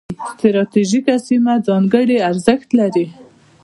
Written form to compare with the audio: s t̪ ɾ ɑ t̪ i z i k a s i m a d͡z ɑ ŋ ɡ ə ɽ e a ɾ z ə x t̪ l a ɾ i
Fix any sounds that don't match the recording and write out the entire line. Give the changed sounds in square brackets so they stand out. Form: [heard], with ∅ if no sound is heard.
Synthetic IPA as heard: s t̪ ɾ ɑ t̪ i [ʒ] i k a s i m a d͡z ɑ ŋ ɡ ə ɽ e a ɾ z ə x t̪ l a ɾ i